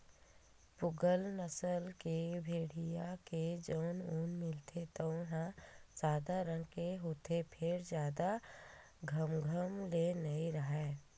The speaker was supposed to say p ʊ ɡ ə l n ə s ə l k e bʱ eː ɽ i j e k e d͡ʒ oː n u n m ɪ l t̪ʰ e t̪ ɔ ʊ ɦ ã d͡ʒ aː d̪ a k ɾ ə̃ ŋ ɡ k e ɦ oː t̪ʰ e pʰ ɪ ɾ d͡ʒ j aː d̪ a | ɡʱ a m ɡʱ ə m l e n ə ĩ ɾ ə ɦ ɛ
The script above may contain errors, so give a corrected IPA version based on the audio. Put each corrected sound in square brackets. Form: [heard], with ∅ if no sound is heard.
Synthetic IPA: p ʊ ɡ ə l n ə s ə l k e bʱ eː ɽ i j [a] k e d͡ʒ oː n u n m ɪ l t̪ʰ e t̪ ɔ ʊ ɦ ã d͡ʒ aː d̪ a [∅] ɾ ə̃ ŋ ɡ k e ɦ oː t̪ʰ e pʰ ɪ ɾ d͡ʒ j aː d̪ a | ɡʱ [ə] m ɡʱ ə m l e n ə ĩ ɾ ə ɦ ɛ